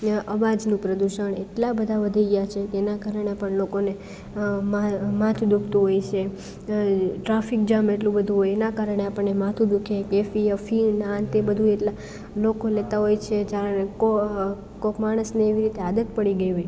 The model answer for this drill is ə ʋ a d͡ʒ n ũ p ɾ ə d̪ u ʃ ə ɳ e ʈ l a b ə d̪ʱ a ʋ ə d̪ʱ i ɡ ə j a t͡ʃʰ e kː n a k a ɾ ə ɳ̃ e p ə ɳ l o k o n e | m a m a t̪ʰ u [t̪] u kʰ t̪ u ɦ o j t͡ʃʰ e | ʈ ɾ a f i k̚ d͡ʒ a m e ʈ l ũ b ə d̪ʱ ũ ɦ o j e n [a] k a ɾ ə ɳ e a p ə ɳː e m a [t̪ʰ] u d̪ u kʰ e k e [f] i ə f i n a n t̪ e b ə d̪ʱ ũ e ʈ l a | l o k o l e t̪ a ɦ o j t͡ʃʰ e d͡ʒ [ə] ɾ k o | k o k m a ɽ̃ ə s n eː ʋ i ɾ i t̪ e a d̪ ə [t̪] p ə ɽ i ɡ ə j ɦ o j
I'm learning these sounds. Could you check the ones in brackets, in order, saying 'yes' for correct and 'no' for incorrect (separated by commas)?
no, yes, yes, yes, no, yes